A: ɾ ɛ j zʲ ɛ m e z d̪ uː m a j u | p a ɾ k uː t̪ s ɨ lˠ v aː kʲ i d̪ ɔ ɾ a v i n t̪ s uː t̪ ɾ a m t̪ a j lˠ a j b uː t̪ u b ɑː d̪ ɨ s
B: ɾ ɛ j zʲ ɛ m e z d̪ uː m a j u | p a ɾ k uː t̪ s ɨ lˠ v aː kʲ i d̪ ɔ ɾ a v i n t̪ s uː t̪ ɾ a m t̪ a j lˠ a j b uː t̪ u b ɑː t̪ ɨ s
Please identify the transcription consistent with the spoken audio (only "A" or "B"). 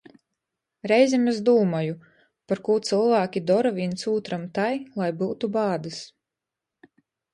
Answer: A